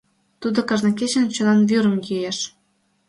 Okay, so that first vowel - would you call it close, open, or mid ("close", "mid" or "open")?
close